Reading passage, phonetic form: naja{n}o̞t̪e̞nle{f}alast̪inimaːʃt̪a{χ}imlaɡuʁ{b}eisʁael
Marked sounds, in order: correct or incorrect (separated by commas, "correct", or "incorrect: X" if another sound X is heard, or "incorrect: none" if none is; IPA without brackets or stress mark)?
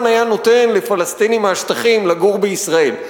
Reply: correct, correct, correct, correct